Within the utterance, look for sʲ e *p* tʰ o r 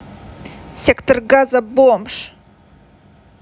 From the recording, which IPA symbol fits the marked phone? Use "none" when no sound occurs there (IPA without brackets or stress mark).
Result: k